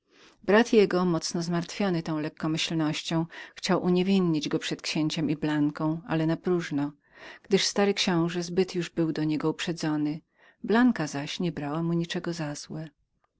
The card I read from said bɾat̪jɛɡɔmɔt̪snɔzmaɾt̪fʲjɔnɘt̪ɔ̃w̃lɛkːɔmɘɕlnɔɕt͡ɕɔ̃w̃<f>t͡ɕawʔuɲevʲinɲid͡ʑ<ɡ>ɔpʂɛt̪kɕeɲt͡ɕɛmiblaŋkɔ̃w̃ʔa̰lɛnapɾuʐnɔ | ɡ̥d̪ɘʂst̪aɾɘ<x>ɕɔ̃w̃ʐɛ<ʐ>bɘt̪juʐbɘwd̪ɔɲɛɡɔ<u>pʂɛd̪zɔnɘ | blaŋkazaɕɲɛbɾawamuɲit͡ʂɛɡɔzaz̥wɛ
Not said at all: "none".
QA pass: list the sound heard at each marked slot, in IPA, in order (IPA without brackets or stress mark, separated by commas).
x, ɡ, k, z, u